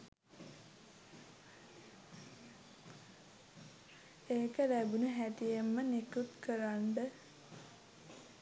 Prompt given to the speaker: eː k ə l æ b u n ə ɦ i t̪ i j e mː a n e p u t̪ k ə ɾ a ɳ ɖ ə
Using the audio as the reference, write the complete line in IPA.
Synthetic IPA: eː k ə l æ b u n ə ɦ æ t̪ i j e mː ə n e k u t̪ k ə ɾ a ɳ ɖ ə

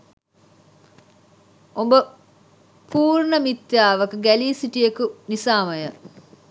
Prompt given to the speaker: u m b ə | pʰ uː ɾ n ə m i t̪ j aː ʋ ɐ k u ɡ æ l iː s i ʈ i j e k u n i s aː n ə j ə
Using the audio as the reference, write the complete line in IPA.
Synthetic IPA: o m b ə | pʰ uː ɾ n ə m i t̪ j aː ʋ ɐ k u ɡ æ l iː s i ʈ i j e k u n i s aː m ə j ə

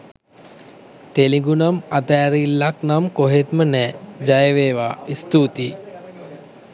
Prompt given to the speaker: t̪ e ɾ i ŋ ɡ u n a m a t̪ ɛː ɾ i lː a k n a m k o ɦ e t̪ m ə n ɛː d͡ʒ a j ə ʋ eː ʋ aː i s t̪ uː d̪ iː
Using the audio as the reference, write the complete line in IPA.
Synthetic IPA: t̪ e l i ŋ ɡ u n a m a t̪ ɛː ɾ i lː a k n a m k o ɦ e t̪ m ə n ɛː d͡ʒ a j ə ʋ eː ʋ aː i s t̪ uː t̪ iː

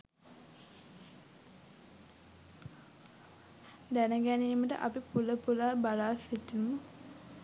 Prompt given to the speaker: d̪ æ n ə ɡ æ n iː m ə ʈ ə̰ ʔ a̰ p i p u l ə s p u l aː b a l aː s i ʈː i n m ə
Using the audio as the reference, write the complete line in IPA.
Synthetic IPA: d̪ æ n ə ɡ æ n iː m ə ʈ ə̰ ʔ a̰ p i p u l ə p u l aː b a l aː s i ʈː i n m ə

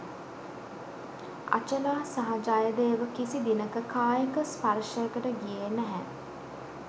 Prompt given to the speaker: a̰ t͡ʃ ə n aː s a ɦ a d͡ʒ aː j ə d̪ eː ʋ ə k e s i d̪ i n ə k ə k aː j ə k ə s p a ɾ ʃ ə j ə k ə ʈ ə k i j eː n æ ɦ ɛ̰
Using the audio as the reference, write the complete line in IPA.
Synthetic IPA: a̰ t͡ʃ ə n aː s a ɦ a d͡ʒ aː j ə d̪ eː ʋ ə k i s i d̪ i n ə k ə k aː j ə k ə s p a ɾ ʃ ə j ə k ə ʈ ə ɡ i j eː n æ ɦ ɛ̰

